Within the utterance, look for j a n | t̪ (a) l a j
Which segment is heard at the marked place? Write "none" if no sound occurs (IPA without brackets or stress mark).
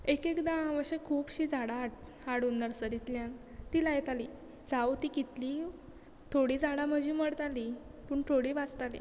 i